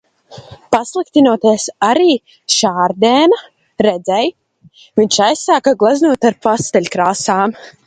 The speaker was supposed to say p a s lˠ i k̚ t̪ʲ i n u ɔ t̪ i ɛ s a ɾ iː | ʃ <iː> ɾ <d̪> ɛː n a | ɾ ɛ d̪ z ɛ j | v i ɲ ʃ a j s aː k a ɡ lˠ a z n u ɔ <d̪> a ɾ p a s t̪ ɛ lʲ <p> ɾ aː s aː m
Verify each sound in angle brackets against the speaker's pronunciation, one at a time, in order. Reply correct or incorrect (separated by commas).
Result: incorrect, correct, incorrect, incorrect